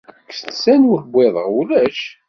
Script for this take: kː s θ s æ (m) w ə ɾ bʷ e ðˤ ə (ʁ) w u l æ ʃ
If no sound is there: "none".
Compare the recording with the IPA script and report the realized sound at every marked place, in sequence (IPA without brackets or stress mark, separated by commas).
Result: n, ʁ